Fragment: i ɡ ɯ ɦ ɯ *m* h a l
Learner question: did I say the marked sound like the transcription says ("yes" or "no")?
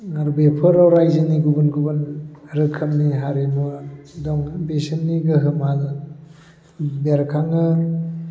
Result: yes